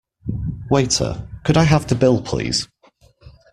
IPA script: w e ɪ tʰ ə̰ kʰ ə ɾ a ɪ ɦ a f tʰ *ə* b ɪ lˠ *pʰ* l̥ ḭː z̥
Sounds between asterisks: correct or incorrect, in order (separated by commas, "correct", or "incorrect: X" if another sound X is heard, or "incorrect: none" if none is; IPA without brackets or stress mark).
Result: correct, correct